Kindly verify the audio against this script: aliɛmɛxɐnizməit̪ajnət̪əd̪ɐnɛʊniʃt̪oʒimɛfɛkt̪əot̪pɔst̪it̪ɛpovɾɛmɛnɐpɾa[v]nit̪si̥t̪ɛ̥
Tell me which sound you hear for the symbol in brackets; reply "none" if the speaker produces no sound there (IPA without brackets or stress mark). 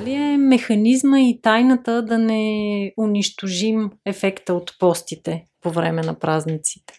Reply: z